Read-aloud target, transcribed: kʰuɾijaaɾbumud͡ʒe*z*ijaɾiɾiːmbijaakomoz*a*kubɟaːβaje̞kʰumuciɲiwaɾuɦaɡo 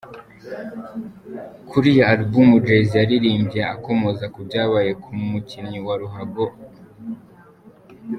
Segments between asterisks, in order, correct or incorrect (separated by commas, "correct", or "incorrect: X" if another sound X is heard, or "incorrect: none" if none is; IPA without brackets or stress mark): correct, correct